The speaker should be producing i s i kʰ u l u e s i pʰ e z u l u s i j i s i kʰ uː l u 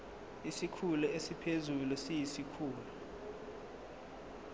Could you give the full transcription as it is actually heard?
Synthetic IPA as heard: i s i kʰ u l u e s i pʰ e z u l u s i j i s i kʰ uː l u